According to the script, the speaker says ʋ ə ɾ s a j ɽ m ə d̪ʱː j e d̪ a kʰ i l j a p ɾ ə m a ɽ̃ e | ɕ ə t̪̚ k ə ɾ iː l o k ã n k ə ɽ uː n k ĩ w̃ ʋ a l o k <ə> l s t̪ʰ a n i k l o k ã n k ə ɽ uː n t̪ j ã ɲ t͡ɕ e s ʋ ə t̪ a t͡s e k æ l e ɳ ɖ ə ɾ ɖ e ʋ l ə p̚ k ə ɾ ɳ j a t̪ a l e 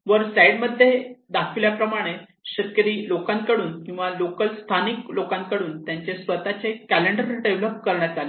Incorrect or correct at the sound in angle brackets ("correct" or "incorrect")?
correct